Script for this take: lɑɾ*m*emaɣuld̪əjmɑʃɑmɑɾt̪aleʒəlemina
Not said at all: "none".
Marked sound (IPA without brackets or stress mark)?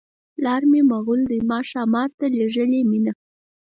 m